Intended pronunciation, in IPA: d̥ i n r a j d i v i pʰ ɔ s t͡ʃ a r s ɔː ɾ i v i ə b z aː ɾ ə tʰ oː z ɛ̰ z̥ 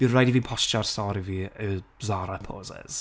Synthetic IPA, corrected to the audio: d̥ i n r a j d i v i pʰ ɔ s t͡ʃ a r s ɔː ɾ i v i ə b z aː ɾ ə pʰ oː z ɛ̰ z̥